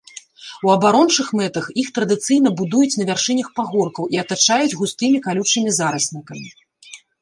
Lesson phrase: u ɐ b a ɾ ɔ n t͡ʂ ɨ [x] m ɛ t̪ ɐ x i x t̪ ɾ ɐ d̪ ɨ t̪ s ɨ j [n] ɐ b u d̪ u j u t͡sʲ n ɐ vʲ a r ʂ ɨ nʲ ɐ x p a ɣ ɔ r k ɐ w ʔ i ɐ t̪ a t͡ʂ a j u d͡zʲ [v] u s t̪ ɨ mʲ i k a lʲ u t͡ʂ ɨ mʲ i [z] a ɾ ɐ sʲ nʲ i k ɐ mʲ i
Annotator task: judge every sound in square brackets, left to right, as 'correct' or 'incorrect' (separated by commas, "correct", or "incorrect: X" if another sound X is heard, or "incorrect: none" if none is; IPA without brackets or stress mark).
correct, correct, incorrect: ɣ, correct